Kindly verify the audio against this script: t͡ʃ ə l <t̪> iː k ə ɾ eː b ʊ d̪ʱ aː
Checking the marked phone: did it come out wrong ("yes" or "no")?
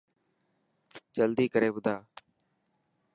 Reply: yes